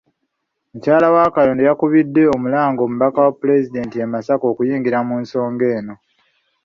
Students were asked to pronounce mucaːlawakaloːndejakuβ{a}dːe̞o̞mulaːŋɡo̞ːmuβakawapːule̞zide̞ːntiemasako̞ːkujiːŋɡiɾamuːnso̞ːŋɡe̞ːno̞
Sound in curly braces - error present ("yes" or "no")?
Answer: yes